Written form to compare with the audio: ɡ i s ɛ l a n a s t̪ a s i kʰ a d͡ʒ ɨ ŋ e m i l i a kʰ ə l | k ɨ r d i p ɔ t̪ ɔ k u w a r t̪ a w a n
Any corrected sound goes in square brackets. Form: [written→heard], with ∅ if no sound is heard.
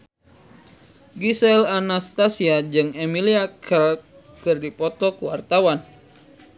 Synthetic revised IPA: ɡ i s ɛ l a n a s t̪ a s i [kʰ→∅] a d͡ʒ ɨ ŋ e m i l i a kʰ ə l | k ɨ r d i p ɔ t̪ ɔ k u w a r t̪ a w a n

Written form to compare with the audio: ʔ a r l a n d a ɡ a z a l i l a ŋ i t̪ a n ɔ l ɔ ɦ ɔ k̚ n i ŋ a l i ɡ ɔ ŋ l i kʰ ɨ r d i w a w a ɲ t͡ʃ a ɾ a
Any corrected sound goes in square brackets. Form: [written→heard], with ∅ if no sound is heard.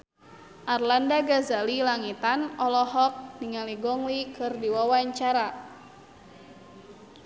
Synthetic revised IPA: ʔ a r l a n d a ɡ a z a l i l a ŋ i t̪ a n ɔ l ɔ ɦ ɔ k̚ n i ŋ a l i ɡ ɔ ŋ l i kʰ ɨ r d i w a w a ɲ t͡ʃ a ɾ a

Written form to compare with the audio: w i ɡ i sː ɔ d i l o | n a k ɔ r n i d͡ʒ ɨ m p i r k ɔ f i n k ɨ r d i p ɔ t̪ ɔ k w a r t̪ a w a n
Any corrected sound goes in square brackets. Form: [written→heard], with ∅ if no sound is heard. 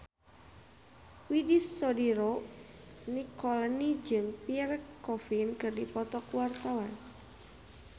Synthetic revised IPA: w i [ɡ→d] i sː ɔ d i [l→ɾ] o | n [a→i] k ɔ [r→l] n i d͡ʒ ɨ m p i r k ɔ f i n k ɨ r d i p ɔ t̪ ɔ k w a r t̪ a w a n

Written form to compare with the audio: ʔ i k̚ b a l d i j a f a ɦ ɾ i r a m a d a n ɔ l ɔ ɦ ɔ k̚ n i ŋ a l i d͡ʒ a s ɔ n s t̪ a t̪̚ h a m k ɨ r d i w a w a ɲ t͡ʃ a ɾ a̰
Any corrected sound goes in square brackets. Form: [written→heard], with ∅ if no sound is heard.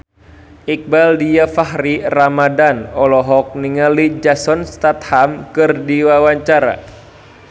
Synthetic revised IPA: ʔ i k̚ b a l d i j a f a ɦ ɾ i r a m a d a n ɔ l ɔ ɦ ɔ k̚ n i ŋ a l i d͡ʒ a s ɔ n s t̪ a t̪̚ h a m k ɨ r d i w a w a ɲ t͡ʃ a ɾ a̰

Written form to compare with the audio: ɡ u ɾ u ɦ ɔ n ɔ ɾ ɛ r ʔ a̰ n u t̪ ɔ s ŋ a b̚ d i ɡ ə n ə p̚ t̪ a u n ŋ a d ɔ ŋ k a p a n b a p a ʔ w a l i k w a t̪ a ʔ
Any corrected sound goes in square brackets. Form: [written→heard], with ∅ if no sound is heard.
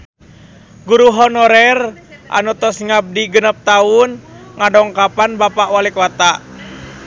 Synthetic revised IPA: ɡ u ɾ u ɦ ɔ n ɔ ɾ ɛ r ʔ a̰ n u t̪ ɔ s ŋ a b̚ d i ɡ ə n ə p̚ t̪ a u n ŋ a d ɔ ŋ k a p a n b a p a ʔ w a l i k w a t̪ a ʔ

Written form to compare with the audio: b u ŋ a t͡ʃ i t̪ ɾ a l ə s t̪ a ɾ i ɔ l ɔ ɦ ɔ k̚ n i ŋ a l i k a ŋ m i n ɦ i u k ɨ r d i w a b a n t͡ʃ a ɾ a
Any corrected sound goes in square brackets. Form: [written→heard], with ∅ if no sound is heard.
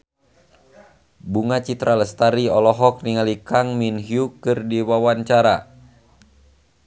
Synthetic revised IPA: b u ŋ a t͡ʃ i t̪ ɾ a l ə s t̪ a ɾ i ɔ l ɔ ɦ ɔ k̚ n i ŋ a l i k a ŋ m i n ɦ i u k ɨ r d i w a [b→w] a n t͡ʃ a ɾ a

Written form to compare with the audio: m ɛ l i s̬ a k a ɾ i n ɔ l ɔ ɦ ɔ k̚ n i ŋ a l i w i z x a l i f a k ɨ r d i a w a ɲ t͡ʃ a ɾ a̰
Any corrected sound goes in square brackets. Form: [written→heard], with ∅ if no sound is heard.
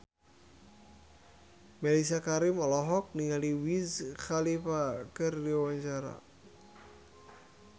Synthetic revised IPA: m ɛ l i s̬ a k a ɾ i [n→m] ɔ l ɔ ɦ ɔ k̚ n i ŋ a l i w i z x a l i f a k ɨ r d i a w a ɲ t͡ʃ a ɾ a̰

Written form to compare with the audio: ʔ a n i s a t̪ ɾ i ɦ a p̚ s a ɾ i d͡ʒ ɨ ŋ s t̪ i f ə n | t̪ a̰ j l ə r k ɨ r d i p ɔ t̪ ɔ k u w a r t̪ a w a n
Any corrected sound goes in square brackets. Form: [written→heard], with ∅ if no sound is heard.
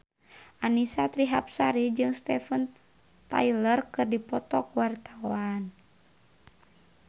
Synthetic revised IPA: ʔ a n i s a t̪ ɾ i ɦ a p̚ s a ɾ i d͡ʒ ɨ ŋ s t̪ [i→ɛ] f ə n | t̪ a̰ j l ə r k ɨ r d i p ɔ t̪ ɔ k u w a r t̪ a w a n

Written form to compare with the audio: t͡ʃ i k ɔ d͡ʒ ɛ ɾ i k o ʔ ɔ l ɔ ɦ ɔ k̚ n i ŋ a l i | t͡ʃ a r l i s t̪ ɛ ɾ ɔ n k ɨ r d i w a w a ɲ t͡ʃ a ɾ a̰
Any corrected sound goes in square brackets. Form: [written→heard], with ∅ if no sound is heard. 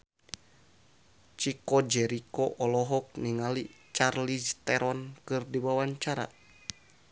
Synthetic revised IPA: t͡ʃ i k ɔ d͡ʒ ɛ ɾ i k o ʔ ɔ l ɔ ɦ ɔ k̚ n i ŋ a l i | t͡ʃ a r l i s t̪ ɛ ɾ ɔ n k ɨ r d i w a w a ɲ t͡ʃ a ɾ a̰

